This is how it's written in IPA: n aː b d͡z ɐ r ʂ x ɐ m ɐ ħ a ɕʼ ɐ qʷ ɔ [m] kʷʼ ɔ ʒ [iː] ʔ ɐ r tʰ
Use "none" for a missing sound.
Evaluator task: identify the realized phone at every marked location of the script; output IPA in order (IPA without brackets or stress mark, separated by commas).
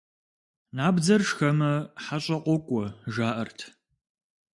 none, aː